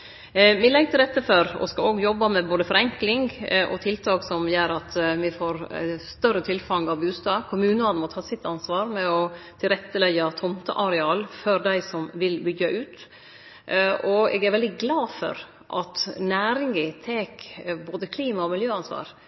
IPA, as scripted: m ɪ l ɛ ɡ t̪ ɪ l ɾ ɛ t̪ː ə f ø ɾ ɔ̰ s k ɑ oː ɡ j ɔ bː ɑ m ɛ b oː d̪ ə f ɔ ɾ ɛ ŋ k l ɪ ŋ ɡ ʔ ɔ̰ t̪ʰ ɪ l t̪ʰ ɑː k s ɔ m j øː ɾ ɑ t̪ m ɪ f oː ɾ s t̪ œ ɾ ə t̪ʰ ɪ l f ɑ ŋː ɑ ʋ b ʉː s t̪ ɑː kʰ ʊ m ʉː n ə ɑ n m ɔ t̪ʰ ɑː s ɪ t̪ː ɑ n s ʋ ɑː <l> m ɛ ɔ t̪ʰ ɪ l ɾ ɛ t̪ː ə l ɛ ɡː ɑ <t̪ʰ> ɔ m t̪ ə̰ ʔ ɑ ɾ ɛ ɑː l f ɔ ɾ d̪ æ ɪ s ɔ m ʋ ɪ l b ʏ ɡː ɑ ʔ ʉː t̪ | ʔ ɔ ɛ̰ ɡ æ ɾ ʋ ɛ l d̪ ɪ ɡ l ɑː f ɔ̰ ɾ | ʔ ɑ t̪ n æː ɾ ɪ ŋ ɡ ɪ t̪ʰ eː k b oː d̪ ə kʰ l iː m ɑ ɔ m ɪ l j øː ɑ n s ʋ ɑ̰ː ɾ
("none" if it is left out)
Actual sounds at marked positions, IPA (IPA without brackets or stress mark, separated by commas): ɾ, t̪ʰ